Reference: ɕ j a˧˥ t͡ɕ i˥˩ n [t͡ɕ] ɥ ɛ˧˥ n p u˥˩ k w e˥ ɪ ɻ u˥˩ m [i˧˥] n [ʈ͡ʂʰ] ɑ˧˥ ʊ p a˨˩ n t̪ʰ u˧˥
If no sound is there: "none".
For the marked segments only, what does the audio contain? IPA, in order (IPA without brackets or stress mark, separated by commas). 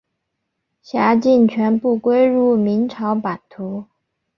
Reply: t͡ɕʰ, i˧˥, ʈ͡ʂʰ